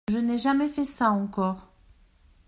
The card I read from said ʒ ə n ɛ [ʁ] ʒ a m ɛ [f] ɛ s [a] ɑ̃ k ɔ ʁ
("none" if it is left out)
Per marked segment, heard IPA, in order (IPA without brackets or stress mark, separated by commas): none, f, a